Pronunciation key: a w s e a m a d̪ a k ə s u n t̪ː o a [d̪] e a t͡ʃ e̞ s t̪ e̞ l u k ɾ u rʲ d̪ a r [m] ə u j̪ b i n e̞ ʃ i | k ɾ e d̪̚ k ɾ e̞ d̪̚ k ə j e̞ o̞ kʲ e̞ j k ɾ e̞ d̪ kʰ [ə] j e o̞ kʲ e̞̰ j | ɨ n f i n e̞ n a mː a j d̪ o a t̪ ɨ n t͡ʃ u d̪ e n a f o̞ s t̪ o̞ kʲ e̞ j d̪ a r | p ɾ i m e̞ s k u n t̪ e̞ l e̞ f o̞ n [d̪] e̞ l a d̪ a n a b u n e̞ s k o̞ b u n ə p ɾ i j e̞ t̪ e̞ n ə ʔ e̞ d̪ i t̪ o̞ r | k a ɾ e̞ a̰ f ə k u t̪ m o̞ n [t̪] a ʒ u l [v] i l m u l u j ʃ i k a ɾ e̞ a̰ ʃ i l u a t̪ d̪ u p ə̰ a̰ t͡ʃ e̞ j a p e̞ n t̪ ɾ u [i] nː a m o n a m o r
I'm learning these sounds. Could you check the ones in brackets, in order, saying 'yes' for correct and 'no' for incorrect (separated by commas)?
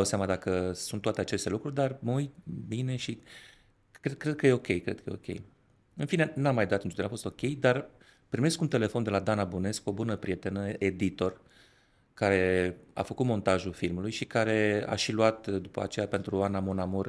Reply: no, yes, yes, yes, yes, no, no